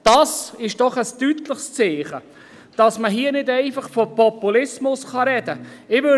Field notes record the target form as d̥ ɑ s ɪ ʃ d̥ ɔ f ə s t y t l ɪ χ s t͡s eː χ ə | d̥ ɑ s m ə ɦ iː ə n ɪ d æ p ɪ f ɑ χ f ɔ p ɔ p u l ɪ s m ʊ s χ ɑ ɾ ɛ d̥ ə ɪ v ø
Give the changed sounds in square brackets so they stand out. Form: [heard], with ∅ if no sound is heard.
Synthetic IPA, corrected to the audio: d̥ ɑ s ɪ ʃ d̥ ɔ [χ] ə s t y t l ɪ χ s t͡s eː χ ə | d̥ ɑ s m ə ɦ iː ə n ɪ d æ [∅] ɪ f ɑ χ f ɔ p ɔ p u l ɪ s m ʊ s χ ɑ ɾ ɛ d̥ ə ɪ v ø